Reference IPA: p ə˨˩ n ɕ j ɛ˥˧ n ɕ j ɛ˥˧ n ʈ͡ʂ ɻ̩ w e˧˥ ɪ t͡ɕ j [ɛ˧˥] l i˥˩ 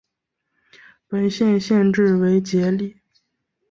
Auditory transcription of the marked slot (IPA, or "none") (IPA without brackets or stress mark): ɛ˧˥